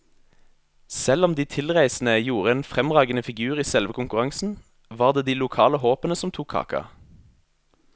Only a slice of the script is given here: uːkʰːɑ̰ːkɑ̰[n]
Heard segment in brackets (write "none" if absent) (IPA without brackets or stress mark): none